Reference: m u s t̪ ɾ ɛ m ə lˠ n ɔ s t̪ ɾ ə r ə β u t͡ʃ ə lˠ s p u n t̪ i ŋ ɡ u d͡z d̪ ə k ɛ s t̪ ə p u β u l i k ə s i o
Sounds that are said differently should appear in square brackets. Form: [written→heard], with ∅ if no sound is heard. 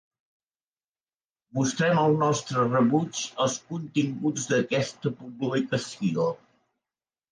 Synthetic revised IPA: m u s t̪ ɾ ɛ m ə lˠ n ɔ s t̪ ɾ ə r ə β u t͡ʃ ə lˠ s [p→k] u n t̪ i ŋ ɡ u d͡z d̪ ə k ɛ s t̪ ə p u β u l i k ə s i o